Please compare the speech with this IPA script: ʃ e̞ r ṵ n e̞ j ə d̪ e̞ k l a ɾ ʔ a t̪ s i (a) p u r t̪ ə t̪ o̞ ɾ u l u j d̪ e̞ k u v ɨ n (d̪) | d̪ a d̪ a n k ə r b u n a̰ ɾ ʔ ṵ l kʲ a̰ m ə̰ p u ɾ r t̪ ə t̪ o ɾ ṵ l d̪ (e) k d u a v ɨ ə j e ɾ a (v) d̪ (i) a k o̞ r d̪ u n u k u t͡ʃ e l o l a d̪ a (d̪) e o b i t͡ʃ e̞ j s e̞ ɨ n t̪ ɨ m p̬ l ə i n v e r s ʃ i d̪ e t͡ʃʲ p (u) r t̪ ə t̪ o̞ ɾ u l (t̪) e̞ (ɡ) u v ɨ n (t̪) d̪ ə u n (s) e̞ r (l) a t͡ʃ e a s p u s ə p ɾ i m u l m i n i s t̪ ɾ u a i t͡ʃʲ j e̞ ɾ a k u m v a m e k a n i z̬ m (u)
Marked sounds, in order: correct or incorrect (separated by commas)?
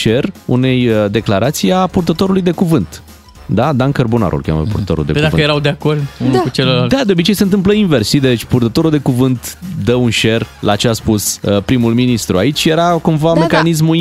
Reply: correct, incorrect, correct, incorrect, incorrect, correct, correct, incorrect, incorrect, correct, incorrect, correct, correct